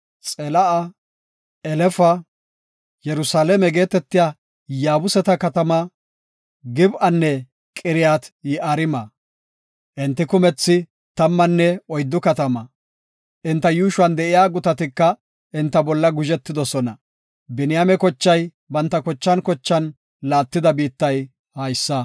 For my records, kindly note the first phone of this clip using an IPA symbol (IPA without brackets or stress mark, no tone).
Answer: t͡sʼ